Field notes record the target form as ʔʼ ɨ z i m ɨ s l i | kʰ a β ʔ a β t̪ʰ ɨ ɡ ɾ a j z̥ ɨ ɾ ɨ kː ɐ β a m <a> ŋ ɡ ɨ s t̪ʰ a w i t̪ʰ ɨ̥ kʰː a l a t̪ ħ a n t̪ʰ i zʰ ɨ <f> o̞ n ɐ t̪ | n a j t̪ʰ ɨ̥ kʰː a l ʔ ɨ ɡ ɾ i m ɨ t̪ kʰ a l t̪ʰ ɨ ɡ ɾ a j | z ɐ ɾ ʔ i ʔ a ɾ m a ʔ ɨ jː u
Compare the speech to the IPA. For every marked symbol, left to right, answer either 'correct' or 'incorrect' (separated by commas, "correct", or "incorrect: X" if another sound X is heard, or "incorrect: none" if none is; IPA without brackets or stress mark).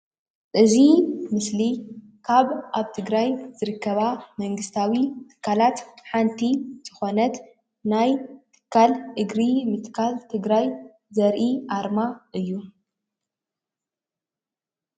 incorrect: ɐ, incorrect: x